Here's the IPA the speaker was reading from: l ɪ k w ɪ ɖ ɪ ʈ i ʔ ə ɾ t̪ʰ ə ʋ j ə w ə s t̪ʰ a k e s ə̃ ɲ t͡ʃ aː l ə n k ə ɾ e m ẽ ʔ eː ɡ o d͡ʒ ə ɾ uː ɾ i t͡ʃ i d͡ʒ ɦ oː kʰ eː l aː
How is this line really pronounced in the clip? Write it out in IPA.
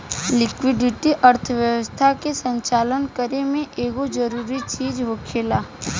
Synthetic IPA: l ɪ k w ɪ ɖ ɪ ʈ i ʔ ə ɾ t̪ʰ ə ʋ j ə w ə s t̪ʰ a k e s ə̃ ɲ t͡ʃ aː l ə n k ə ɾ e m ẽ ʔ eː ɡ o d͡ʒ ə ɾ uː ɾ i t͡ʃ iː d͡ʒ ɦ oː kʰ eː l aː